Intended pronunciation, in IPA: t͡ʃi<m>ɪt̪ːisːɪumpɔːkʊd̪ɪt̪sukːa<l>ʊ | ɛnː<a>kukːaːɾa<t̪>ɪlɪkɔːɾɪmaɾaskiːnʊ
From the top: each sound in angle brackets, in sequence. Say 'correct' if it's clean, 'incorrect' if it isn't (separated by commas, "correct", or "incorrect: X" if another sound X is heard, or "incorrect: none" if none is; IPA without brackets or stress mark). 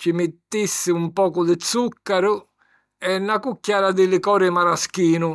correct, incorrect: ɾ, correct, incorrect: d̪